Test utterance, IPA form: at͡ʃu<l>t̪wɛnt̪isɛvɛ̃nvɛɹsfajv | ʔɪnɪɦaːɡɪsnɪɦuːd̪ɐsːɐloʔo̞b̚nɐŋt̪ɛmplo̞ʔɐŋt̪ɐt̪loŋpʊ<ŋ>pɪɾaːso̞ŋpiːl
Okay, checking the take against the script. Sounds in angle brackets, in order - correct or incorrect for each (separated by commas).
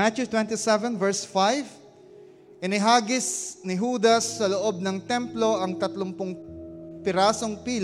incorrect, correct